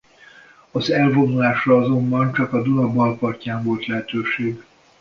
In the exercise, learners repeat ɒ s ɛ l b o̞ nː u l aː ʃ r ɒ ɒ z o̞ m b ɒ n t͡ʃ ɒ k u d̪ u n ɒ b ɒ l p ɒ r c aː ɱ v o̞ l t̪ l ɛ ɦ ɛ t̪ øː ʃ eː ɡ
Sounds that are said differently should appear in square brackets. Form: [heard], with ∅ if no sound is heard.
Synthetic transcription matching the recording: ɒ [z] ɛ l [v] o̞ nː u l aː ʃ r ɒ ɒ z o̞ m b ɒ n t͡ʃ ɒ k [ɒ] d̪ u n ɒ b ɒ l p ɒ r c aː ɱ v o̞ l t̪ l ɛ ɦ ɛ t̪ øː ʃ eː ɡ